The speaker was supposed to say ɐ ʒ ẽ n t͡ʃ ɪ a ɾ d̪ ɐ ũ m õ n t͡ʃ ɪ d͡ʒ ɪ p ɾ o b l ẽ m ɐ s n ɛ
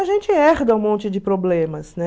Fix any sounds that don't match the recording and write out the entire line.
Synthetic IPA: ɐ ʒ ẽ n t͡ʃ ɪ ɛ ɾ d̪ ɐ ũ m õ n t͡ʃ ɪ d͡ʒ ɪ p ɾ o b l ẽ m ɐ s n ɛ